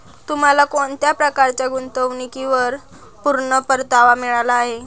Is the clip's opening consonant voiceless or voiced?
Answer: voiceless